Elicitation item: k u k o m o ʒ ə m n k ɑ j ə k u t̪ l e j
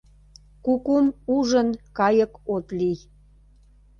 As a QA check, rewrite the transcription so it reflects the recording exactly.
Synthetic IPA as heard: k u k u m u ʒ ə n k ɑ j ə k o t̪ l i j